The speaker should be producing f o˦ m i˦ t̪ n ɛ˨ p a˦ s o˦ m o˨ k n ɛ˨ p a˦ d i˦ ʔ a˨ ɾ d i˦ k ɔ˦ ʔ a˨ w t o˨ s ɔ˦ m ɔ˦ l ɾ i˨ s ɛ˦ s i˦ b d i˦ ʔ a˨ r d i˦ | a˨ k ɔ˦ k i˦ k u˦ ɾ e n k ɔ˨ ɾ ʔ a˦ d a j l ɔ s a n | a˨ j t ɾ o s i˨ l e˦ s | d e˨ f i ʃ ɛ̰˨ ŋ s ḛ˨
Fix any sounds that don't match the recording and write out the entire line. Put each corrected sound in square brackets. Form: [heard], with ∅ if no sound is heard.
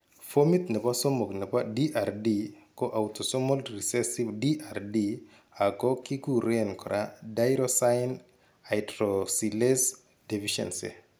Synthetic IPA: f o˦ m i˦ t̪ n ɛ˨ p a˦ s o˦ m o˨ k n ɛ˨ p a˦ d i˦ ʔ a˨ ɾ d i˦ k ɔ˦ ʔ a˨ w t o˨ s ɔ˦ m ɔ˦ l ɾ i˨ s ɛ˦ s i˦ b d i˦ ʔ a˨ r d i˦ | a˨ k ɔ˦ k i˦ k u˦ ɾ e n k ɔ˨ ɾ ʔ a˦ d a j [ɾ] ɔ s a n | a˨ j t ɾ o s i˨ l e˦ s | d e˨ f i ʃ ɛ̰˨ [n] s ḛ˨